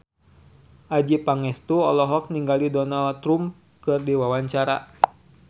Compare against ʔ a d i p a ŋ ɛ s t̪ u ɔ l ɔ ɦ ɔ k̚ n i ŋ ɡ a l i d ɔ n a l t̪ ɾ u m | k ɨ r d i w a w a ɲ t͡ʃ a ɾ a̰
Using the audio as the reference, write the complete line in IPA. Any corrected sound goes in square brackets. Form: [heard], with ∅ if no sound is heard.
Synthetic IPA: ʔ a [d͡ʒ] i p a ŋ ɛ s t̪ u ɔ l ɔ ɦ ɔ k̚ n i ŋ ɡ a l i d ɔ n a l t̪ ɾ u m | k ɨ r d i w a w a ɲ t͡ʃ a ɾ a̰